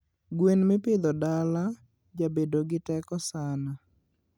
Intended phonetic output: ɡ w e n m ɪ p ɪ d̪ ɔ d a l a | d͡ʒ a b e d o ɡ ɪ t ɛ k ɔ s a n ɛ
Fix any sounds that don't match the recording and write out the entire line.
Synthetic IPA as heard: ɡ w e n m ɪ p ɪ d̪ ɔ d a l a | d͡ʒ a b e d o ɡ ɪ t ɛ k ɔ s a n a